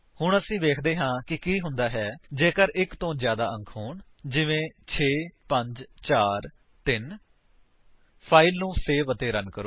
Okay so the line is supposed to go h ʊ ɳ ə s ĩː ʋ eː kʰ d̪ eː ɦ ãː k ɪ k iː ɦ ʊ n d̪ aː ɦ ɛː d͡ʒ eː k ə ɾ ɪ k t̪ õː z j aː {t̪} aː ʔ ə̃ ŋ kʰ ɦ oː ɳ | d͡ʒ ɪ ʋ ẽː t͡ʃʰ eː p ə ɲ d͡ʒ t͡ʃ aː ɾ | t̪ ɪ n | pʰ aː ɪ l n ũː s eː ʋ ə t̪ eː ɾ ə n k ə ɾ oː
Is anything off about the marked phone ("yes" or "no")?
yes